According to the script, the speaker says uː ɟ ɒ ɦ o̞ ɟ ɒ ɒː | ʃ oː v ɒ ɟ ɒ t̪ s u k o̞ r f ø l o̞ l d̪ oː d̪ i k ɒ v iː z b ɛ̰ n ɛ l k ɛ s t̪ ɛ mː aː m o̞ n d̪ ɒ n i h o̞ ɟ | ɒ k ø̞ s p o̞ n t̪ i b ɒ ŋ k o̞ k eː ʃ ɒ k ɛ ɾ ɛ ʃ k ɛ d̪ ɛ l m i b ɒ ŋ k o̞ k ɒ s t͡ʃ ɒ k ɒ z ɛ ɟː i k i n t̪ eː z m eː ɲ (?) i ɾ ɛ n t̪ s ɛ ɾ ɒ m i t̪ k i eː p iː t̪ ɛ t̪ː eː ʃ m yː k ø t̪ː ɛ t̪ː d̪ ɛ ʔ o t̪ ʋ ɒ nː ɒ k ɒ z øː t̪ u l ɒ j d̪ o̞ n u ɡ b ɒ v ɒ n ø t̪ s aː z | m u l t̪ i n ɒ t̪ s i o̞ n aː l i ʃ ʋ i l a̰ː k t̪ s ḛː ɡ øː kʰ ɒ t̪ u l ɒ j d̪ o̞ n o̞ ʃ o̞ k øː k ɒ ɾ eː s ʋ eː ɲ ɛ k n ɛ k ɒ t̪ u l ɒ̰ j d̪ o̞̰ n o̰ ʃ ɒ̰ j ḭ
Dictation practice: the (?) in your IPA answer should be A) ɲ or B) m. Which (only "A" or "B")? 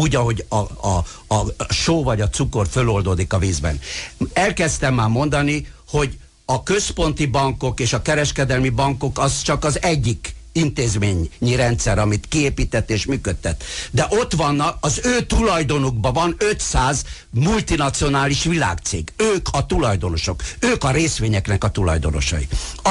A